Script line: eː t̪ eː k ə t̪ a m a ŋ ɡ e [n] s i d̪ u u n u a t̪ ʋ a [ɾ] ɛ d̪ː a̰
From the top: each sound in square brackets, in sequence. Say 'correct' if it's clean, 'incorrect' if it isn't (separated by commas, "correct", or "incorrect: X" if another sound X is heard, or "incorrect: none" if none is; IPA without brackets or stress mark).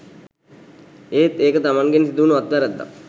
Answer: correct, correct